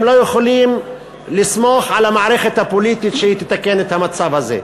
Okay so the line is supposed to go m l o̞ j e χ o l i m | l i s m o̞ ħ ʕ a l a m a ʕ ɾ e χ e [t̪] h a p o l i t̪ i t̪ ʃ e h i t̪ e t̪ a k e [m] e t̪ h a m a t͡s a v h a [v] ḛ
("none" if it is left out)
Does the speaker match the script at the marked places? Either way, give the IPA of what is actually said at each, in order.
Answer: t̪, n, z

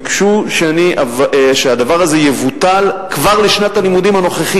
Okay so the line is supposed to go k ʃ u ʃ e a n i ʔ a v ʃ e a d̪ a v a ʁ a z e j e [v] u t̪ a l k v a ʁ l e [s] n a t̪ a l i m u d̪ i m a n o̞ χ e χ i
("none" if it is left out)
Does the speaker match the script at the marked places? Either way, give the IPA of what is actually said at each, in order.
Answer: v, ʃ

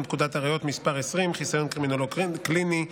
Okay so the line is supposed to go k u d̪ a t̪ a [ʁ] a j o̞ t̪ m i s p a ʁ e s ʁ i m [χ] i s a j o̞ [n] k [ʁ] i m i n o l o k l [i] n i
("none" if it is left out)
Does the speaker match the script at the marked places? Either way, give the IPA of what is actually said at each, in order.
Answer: ʁ, χ, n, ʁ, i

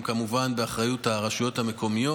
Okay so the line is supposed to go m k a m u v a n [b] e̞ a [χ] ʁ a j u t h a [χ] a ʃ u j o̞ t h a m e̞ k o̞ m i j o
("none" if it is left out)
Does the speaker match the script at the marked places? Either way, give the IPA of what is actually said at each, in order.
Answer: b, χ, ʁ

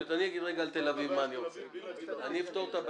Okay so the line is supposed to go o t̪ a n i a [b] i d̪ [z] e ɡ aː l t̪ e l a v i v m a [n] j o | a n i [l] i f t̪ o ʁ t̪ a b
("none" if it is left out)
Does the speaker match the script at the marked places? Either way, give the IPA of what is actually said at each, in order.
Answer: ɡ, ʁ, n, none

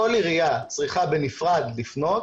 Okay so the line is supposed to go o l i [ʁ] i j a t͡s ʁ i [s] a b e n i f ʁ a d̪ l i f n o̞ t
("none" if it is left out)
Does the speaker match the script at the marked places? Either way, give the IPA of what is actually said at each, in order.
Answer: ʁ, χ

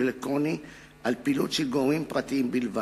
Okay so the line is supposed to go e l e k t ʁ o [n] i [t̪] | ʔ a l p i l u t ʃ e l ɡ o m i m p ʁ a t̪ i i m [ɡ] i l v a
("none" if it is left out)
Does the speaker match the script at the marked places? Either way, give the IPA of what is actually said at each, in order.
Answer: n, none, b

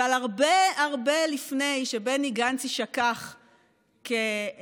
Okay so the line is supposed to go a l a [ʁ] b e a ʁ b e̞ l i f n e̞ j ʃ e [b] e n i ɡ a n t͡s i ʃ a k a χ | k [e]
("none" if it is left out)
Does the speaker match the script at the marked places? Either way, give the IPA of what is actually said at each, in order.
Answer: ʁ, b, e

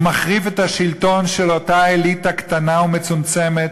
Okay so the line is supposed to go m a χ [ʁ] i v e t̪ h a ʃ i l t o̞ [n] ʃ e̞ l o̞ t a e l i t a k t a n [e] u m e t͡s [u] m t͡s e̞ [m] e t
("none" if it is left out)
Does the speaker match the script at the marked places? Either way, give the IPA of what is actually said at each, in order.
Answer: ʁ, n, a, u, m

